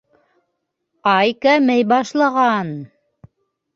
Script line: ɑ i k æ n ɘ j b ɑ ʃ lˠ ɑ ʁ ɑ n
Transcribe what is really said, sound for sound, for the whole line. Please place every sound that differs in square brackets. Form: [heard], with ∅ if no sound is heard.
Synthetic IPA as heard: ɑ [j] k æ [m] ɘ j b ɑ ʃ lˠ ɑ ʁ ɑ n